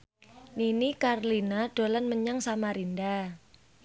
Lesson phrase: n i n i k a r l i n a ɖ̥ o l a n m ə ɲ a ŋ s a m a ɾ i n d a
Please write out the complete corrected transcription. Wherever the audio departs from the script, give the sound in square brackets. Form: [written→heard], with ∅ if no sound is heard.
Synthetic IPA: n i n i k a r l i n a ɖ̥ o l a n m ə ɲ a ŋ s a m a ɾ i n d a